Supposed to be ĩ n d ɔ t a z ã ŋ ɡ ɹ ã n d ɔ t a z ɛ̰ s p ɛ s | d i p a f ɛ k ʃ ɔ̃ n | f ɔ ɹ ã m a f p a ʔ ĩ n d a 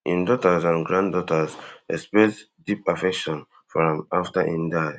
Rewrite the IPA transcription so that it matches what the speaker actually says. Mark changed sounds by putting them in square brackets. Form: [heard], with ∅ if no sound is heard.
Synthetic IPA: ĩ n d ɔ t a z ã [n] ɡ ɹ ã n d ɔ t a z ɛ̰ s p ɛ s | d i p a f ɛ k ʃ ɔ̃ n | f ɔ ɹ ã m a f [t] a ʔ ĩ n d a